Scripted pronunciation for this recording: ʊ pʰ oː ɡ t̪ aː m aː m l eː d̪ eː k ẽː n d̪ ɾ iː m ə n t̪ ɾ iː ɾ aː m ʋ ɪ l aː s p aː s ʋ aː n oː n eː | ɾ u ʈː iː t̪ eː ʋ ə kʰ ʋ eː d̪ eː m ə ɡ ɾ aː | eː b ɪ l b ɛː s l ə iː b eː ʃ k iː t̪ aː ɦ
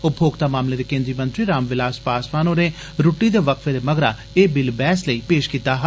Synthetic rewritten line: ʊ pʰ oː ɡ t̪ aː m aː m l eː d̪ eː k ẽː n d̪ ɾ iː m ə n t̪ ɾ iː ɾ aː m ʋ ɪ l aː s p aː s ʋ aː n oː n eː | ɾ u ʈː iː d̪ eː ʋ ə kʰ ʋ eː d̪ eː m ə ɡ ɾ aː | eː b ɪ l b ɛː s l ə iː p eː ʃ k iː t̪ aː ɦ